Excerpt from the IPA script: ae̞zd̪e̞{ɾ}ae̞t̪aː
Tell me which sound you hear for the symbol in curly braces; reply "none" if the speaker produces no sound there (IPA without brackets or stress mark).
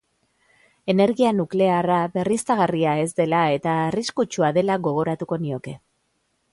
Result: l